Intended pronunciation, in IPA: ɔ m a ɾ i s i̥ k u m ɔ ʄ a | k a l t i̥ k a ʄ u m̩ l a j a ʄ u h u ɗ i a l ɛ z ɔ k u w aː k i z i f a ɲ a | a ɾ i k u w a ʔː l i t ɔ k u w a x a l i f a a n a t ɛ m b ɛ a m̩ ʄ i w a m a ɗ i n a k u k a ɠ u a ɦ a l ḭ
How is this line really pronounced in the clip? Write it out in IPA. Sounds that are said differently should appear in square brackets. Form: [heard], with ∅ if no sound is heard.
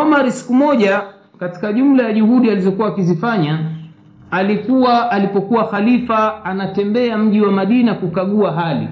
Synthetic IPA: ɔ m a ɾ i s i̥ k u m ɔ ʄ a | k a [∅] t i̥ k a ʄ u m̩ l a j a ʄ u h u ɗ i a l [i] z ɔ k u w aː k i z i f a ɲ a | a [l] i k u w a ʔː l i [p] ɔ k u w a x a l i f a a n a t ɛ m b ɛ a m̩ ʄ i w a m a ɗ i n a k u k a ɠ u a ɦ a l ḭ